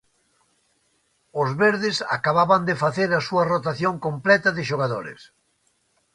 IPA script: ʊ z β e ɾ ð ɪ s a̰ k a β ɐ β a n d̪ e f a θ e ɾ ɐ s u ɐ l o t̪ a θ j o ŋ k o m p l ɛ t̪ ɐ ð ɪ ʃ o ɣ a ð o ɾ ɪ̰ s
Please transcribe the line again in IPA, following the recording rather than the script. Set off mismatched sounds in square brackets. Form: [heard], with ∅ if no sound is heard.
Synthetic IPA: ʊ z β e ɾ ð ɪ s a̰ k a β [a] β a n d̪ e f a θ e ɾ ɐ s u ɐ [r] o t̪ a θ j o ŋ k o m p l ɛ t̪ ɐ ð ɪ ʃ o ɣ a ð o ɾ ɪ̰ s